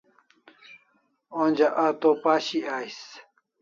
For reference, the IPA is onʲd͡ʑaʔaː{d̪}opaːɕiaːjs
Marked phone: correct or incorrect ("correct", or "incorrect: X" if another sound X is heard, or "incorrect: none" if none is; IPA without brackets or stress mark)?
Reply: incorrect: t̪